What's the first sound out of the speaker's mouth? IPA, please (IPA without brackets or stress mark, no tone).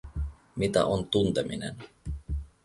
m